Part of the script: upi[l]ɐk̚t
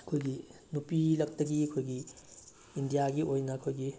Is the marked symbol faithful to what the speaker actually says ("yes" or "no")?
yes